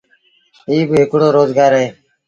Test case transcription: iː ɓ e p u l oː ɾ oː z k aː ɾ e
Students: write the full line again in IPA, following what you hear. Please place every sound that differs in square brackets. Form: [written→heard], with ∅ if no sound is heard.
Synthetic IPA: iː [ɓ→b] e [p→k] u [l→ɽ] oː ɾ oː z [k→ɡ] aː ɾ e